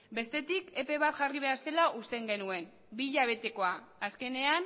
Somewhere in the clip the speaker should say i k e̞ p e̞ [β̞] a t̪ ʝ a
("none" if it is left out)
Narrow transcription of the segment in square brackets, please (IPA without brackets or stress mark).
β̞